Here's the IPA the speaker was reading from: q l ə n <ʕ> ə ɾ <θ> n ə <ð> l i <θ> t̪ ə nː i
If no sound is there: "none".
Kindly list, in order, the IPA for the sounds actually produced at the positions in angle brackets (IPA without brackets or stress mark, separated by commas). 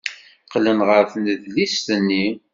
ʁ, f, ð, s